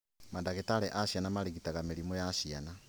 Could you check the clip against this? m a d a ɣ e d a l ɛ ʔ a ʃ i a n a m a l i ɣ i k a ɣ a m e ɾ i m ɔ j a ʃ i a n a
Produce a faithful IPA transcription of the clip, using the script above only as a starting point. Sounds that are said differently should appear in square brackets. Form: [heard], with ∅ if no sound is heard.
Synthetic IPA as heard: m a d a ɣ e [t] a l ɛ ʔ a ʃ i a n a m a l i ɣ i [t] a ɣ a m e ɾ i m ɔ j a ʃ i a n a